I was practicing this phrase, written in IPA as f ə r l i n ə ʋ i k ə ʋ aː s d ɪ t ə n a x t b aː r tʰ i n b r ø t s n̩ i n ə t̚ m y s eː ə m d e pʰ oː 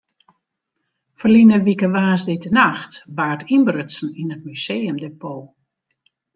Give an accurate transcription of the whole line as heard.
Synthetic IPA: f ə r l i n ə ʋ i k ə ʋ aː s d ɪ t ə n a x t b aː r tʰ i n b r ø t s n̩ i n ə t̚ m y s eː ə m d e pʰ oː